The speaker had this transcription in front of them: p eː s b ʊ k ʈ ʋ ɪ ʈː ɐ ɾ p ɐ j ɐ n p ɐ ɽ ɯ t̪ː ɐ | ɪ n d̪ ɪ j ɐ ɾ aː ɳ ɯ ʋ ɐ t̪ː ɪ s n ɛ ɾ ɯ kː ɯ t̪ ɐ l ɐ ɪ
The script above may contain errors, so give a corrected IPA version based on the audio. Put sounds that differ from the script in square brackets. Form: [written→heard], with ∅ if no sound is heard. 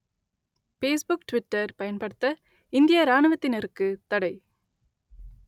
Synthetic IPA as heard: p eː s b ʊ k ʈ ʋ ɪ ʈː ɐ ɾ p ɐ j ɐ n p ɐ ɽ ɯ t̪ː ɐ | ɪ n d̪ ɪ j ɐ ɾ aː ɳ ɯ ʋ ɐ t̪ː ɪ [s→∅] n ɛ ɾ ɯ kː ɯ t̪ ɐ [l→ɽ] ɐ ɪ